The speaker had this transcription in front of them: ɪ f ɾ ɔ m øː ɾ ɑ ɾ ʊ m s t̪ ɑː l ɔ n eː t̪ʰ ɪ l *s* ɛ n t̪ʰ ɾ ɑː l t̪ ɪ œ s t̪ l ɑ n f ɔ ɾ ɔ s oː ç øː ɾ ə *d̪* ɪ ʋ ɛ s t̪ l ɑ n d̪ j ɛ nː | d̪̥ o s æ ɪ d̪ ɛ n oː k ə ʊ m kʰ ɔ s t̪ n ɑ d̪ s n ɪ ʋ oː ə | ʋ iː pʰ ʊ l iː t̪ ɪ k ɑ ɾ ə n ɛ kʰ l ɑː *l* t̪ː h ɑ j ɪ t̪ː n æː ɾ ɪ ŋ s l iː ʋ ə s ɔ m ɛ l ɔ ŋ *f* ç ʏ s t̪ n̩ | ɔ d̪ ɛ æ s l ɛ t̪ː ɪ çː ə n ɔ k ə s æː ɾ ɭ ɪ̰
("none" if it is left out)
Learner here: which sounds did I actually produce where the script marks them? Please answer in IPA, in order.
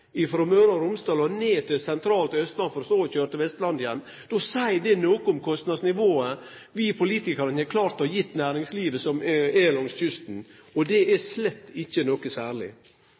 s, t̪, ɾ, s

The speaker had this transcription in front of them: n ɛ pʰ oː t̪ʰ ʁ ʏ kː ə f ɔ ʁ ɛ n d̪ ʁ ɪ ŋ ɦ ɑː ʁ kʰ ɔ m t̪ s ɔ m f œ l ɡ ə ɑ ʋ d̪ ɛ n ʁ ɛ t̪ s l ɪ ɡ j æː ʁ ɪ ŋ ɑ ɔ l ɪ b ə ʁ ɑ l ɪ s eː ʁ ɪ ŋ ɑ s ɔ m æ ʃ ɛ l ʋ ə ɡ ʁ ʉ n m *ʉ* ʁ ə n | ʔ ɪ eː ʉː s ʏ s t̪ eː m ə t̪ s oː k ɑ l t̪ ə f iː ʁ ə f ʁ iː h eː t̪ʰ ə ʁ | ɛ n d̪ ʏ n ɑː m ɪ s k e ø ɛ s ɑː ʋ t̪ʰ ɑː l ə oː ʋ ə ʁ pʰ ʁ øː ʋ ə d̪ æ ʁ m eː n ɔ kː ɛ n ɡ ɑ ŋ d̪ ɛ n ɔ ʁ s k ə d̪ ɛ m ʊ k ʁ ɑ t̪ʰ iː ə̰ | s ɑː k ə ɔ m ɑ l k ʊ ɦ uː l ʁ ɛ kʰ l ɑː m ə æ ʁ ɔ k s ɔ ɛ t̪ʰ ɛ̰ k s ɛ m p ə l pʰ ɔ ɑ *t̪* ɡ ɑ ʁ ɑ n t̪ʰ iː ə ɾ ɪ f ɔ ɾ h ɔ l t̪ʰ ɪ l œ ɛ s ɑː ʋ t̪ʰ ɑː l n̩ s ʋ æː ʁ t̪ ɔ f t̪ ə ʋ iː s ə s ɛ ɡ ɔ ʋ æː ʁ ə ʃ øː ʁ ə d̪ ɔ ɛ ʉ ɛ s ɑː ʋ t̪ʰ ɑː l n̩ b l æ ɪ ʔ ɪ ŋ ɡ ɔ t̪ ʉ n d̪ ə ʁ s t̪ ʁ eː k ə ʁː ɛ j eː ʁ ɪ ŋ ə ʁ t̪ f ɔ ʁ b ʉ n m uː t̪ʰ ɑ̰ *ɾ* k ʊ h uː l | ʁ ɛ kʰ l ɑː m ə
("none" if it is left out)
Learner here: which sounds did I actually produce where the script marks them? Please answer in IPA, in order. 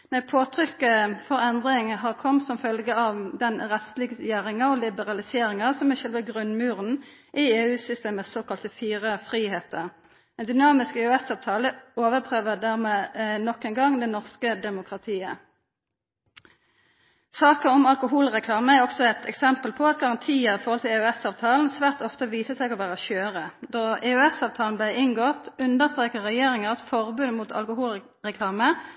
ʉː, t̪, l

